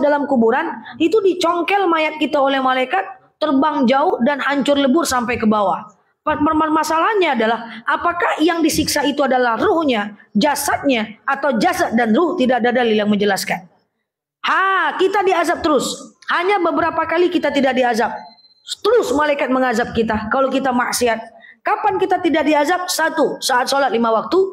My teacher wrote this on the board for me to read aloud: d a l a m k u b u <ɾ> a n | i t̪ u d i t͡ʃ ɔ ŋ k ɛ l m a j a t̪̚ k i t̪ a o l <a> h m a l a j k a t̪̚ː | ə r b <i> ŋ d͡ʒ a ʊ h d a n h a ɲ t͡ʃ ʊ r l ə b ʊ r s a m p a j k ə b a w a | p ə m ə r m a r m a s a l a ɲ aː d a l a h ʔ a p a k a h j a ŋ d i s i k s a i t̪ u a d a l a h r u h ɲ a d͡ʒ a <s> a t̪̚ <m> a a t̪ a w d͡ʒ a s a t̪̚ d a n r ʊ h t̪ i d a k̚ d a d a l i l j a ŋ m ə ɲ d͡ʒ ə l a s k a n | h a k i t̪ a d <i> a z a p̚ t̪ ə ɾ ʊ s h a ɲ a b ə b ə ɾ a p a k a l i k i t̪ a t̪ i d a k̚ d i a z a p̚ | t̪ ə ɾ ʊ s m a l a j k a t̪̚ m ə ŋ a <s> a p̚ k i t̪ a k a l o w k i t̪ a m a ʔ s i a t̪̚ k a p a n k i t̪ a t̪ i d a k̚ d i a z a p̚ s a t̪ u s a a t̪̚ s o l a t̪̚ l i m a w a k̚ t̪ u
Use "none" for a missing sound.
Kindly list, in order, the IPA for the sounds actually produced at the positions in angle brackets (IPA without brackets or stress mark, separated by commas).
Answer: ɾ, ɛ, a, s, ɲ, i, z